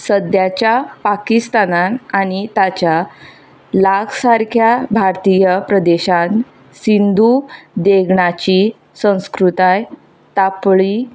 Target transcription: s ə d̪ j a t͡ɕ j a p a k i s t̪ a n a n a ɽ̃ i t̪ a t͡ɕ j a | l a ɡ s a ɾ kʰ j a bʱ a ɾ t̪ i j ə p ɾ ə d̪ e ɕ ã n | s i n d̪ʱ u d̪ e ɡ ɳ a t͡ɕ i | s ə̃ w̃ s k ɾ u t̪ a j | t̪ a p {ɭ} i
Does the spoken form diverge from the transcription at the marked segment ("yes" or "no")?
no